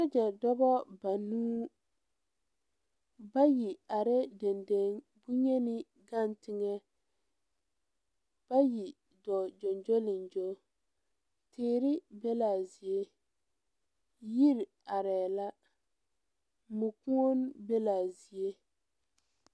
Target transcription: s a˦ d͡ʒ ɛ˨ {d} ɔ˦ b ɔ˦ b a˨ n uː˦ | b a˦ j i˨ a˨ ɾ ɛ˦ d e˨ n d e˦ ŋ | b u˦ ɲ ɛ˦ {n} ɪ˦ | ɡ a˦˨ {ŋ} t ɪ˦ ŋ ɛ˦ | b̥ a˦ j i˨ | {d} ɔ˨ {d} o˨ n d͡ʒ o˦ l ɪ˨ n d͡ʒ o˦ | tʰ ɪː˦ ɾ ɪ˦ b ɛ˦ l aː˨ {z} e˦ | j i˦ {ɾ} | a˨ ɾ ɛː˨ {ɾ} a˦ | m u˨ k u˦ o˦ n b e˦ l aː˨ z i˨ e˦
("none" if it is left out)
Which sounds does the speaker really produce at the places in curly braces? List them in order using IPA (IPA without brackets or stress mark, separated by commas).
d, n, n, d, d͡ʒ, z, ɾ, l